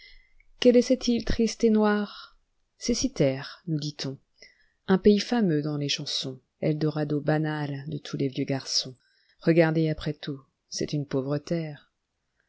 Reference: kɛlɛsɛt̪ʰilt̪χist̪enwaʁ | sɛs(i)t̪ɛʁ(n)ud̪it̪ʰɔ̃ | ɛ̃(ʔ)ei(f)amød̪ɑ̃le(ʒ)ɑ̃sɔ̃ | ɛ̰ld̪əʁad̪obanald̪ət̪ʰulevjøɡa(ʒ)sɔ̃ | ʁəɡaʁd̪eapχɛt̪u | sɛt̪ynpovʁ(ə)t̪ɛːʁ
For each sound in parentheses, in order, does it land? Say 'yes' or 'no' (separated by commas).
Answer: yes, yes, no, yes, no, no, yes